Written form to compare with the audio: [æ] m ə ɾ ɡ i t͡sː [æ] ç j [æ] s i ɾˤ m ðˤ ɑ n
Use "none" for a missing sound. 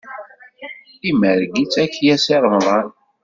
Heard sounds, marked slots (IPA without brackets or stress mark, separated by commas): i, æ, æ